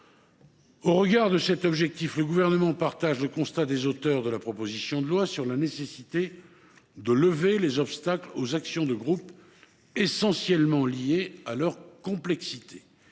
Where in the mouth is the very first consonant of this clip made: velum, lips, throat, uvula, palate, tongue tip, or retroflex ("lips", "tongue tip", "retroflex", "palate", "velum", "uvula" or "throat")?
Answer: uvula